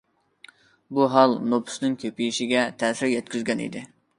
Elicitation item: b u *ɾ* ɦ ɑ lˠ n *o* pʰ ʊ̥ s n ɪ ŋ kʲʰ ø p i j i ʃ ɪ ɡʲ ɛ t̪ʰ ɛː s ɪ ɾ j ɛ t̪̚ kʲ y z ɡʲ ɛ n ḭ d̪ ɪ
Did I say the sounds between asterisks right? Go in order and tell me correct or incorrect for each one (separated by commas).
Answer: incorrect, correct